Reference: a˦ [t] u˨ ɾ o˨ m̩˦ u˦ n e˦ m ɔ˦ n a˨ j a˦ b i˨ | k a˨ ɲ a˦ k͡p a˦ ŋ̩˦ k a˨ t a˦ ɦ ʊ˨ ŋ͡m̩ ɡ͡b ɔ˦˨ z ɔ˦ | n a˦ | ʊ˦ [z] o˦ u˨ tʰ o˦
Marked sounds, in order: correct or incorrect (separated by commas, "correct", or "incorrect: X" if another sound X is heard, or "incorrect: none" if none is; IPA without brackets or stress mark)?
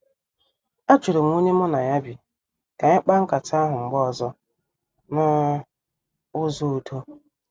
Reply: incorrect: t͡ʃ, correct